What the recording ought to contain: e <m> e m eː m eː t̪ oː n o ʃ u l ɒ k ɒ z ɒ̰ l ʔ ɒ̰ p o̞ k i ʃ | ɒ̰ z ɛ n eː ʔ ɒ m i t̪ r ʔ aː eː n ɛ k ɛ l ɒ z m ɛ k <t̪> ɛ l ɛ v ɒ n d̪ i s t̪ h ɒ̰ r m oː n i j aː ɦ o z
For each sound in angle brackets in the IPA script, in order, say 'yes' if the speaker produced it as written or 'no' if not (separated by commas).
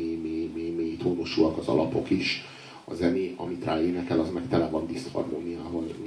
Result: yes, yes